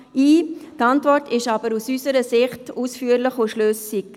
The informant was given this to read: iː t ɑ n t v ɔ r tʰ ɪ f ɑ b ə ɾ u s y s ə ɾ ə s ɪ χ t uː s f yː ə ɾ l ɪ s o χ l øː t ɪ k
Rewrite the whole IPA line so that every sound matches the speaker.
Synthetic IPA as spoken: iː t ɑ n t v ɔ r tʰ ɪ ʃ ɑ b ə ɾ u s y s ə ɾ ə s ɪ χ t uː s f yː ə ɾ l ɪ χ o ʃ l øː s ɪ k